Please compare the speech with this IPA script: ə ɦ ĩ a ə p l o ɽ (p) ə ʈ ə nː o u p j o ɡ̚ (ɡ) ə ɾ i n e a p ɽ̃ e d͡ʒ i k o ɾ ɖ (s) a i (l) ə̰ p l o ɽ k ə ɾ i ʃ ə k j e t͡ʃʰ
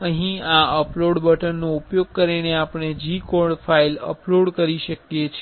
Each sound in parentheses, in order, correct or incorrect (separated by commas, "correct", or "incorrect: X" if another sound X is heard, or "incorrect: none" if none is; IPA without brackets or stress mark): incorrect: b, incorrect: k, incorrect: f, correct